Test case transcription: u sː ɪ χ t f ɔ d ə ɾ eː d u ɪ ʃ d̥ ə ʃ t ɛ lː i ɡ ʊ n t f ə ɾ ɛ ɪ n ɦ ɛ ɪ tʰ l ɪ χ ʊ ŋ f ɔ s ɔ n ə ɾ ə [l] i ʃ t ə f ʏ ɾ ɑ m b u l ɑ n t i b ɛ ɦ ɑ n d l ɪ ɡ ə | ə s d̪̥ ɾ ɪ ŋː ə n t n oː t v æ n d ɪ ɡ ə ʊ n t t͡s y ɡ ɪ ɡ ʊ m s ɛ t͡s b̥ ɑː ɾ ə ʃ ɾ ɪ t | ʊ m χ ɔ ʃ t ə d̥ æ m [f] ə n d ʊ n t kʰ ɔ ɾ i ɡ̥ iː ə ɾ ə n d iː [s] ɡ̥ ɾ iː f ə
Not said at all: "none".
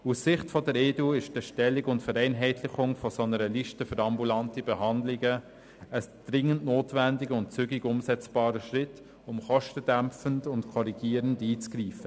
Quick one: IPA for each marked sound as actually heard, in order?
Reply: l, f, t͡s

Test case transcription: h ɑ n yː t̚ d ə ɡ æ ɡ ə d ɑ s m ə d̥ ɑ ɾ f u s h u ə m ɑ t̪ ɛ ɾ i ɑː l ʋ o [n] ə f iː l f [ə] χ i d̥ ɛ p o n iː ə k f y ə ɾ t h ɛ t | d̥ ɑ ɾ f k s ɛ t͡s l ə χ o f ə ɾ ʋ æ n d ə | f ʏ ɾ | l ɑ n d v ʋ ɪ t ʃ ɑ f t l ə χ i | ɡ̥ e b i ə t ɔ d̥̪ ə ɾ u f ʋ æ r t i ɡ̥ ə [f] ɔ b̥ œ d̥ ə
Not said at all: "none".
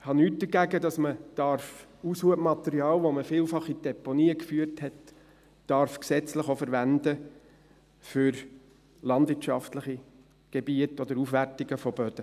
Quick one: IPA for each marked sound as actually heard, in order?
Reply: m, ɑ, f

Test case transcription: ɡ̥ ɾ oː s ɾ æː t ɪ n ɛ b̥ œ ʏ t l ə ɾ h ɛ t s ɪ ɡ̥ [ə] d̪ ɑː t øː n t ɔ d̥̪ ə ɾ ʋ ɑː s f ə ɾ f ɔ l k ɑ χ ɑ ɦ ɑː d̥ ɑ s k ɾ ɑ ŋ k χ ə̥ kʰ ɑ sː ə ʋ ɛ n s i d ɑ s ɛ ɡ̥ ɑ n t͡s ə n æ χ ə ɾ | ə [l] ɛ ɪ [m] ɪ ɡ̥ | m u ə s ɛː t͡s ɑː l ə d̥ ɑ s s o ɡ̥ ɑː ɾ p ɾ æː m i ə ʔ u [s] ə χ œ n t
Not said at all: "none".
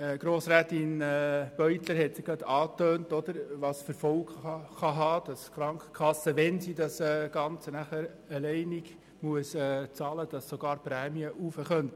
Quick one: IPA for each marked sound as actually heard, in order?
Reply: ɑ, l, n, f

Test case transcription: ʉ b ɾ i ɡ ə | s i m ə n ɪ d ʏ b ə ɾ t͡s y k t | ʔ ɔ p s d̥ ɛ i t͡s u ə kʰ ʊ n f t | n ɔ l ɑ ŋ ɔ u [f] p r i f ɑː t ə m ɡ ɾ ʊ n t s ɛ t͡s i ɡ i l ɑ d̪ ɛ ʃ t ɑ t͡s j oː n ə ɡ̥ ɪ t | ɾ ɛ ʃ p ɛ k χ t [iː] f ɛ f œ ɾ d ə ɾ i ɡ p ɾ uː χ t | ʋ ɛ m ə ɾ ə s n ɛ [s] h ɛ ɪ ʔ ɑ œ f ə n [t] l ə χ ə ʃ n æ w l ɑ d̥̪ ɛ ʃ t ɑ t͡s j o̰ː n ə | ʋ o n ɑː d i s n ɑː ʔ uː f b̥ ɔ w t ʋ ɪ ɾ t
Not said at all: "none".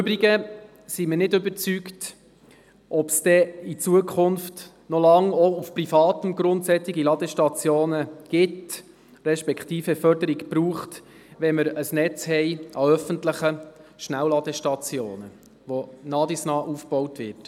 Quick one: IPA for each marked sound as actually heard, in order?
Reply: f, iː, t͡s, t

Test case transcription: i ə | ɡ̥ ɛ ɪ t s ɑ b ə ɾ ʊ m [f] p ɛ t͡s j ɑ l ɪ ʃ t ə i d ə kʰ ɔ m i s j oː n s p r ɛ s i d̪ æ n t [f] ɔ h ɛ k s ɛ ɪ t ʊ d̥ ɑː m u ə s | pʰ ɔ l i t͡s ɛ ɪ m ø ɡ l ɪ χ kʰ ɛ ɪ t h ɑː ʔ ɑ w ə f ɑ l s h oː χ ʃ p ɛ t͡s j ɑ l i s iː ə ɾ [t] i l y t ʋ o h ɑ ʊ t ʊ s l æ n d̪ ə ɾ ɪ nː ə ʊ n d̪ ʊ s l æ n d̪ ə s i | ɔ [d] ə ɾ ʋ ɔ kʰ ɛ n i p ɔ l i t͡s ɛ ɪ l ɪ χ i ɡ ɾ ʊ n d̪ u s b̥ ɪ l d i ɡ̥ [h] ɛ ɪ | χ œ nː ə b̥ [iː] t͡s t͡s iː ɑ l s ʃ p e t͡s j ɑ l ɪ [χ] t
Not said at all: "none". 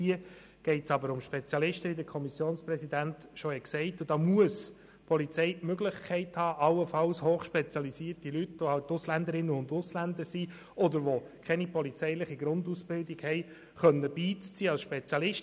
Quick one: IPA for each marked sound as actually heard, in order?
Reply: ʃ, ʃ, t, d, h, iː, ʃ

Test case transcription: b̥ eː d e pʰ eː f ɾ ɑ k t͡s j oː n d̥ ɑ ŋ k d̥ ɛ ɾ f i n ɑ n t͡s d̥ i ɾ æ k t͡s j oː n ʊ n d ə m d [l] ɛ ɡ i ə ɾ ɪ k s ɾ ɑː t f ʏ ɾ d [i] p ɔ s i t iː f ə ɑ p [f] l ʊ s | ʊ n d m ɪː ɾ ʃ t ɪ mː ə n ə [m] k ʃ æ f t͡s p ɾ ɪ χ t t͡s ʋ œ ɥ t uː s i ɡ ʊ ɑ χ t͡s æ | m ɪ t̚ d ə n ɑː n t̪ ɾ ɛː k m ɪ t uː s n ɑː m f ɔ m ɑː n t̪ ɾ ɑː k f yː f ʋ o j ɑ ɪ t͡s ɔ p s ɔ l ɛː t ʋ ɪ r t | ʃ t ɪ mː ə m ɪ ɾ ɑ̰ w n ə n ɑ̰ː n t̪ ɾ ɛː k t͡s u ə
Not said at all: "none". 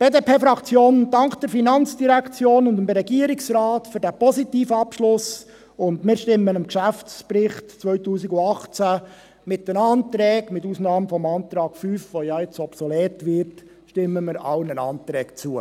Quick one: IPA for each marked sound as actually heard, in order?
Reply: ɾ, æ, ʃ, m

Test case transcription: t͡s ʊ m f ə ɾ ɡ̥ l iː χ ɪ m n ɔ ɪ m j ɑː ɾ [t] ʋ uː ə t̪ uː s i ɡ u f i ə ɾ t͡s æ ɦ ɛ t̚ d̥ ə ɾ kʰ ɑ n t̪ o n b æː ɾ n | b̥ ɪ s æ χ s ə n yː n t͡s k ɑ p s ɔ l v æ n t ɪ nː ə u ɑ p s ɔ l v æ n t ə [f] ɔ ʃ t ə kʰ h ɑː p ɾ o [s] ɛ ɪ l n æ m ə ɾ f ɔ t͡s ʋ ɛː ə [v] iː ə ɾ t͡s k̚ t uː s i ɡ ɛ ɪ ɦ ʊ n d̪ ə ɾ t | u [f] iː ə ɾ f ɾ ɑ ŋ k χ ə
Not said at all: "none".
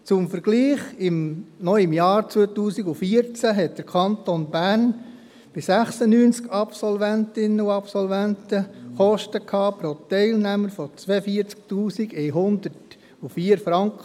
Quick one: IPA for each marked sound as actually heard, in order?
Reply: t͡s, χ, t, f, f

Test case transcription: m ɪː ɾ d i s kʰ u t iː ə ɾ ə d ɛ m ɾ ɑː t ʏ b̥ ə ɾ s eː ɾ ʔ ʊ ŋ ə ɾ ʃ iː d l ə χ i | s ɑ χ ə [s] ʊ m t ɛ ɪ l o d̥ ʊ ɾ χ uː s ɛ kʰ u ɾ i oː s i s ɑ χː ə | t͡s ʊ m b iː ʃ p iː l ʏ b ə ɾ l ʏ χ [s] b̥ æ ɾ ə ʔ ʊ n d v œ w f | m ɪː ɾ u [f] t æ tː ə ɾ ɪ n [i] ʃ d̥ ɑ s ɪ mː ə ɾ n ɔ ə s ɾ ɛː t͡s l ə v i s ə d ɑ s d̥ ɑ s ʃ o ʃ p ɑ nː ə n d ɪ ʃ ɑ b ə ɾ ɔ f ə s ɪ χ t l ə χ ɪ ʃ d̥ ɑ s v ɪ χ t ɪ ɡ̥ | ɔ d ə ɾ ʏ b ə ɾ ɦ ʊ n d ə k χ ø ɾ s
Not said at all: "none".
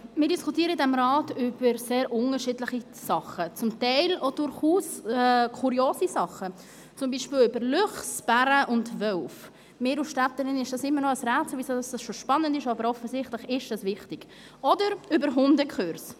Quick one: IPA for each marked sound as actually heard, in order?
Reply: t͡s, s, ʃ, ɪ

